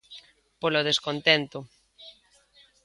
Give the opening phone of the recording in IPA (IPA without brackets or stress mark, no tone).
p